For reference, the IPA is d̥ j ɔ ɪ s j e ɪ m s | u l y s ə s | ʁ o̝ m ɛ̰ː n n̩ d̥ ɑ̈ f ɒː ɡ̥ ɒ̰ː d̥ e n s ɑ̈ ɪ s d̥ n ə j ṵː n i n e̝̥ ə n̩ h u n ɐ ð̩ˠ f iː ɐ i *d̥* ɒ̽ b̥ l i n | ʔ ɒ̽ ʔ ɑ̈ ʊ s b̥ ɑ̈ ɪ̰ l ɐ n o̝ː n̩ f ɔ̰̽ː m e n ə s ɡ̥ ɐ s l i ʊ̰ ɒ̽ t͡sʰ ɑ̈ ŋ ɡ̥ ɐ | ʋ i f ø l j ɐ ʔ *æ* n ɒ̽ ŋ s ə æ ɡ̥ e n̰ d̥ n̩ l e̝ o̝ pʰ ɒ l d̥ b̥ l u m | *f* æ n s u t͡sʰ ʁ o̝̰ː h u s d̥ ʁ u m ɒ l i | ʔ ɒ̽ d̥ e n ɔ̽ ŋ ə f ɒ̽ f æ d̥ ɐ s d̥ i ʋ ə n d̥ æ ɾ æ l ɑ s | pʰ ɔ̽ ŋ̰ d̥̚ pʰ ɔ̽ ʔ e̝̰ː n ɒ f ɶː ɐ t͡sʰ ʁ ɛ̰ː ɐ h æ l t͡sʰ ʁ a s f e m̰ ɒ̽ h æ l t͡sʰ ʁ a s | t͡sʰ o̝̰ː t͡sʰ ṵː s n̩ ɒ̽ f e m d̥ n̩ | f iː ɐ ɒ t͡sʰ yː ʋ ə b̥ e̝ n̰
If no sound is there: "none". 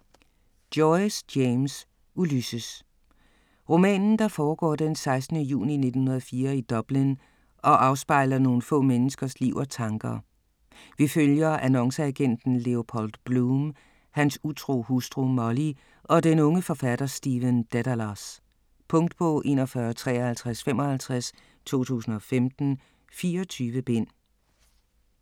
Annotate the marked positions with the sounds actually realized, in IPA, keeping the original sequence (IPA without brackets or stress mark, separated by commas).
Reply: d̥, æ, h